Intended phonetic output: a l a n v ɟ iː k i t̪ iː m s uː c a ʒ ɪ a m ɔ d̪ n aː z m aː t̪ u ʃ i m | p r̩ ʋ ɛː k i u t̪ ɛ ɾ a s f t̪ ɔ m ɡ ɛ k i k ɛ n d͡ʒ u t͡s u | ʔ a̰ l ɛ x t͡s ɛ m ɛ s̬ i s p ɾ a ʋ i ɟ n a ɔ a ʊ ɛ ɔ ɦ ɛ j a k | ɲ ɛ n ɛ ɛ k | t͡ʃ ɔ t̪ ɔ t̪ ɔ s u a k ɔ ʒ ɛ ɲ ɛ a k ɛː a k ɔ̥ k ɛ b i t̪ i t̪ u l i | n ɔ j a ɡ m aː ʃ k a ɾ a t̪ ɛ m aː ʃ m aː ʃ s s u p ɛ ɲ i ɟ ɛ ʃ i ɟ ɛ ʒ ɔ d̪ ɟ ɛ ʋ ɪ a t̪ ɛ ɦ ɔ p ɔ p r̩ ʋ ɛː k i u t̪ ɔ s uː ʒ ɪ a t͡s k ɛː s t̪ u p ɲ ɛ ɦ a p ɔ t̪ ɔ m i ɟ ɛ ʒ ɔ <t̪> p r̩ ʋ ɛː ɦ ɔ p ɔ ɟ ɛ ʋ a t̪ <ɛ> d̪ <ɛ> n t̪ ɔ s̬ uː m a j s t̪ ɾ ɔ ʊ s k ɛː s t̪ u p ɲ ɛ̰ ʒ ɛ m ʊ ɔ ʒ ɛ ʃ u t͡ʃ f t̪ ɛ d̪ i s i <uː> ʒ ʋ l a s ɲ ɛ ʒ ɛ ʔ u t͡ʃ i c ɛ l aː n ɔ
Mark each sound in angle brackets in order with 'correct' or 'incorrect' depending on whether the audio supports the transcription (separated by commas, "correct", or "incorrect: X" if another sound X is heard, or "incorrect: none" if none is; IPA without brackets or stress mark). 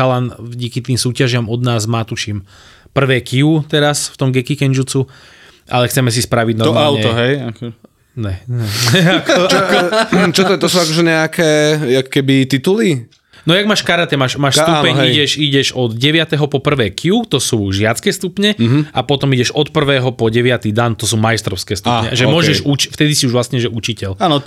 correct, incorrect: i, incorrect: a, incorrect: u